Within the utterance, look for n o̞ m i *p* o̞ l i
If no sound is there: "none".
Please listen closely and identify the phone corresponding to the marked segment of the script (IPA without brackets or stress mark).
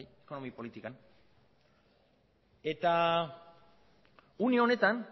p